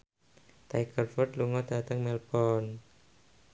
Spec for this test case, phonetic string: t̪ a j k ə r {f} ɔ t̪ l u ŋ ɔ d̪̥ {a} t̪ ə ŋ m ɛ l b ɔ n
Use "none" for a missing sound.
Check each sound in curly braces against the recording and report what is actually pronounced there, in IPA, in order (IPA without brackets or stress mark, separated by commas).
f, a